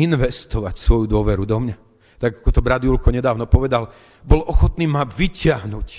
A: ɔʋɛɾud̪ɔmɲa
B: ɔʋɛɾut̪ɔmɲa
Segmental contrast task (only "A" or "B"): A